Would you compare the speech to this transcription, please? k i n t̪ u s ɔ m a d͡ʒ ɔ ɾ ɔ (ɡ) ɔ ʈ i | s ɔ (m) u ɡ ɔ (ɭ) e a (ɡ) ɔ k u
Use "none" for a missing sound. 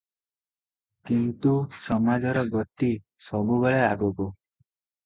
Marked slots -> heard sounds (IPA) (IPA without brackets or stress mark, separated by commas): ɡ, b, ɭ, ɡ